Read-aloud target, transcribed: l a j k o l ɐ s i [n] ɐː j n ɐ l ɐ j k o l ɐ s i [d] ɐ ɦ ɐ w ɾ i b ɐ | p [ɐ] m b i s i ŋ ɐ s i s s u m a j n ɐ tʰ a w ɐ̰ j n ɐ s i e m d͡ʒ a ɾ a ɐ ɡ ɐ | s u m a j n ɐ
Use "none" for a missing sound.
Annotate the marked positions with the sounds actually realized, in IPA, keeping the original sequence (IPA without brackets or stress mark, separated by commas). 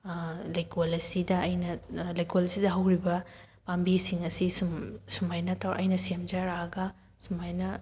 d, d, a